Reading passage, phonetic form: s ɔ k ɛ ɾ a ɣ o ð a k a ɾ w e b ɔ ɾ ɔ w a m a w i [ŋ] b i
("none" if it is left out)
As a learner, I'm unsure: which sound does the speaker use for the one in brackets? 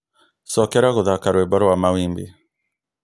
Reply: m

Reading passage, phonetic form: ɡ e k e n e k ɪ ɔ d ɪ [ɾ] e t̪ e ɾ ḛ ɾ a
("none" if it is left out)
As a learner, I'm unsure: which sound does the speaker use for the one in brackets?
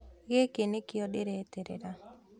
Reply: ɾ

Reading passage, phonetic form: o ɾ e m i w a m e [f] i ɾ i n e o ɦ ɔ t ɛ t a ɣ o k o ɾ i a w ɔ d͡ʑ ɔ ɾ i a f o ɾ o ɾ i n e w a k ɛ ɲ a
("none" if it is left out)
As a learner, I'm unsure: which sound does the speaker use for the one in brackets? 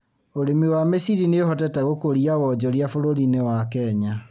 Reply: s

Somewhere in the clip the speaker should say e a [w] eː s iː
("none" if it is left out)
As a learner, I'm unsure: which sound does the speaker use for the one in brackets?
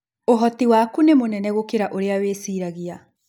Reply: w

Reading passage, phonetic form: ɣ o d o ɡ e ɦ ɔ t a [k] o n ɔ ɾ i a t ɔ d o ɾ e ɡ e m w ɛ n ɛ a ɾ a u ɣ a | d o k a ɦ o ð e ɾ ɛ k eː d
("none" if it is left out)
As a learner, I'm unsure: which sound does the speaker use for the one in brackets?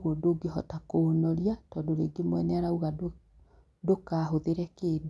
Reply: k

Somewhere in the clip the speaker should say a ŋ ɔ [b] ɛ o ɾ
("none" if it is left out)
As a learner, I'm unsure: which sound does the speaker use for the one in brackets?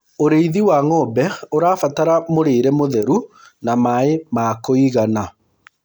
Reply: b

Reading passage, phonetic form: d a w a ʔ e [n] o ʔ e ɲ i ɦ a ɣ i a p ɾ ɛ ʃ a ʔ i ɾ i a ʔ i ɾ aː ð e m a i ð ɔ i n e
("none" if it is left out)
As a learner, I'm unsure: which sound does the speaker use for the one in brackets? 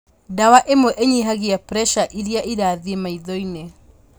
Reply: m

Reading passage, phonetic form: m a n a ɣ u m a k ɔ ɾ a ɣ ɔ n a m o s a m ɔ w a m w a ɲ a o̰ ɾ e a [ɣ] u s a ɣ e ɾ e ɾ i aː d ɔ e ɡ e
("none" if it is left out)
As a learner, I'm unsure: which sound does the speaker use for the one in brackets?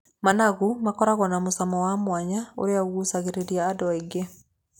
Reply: ɣ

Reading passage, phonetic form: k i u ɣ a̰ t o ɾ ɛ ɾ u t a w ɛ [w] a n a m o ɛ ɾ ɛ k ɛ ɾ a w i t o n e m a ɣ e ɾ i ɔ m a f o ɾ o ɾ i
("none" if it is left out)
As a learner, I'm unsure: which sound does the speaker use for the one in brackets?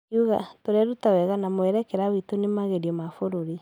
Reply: ɣ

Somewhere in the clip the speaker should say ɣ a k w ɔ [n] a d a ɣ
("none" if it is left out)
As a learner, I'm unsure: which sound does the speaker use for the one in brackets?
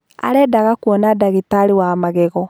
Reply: n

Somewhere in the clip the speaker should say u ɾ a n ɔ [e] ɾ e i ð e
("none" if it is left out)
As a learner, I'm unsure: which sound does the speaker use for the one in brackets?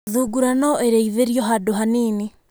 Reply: e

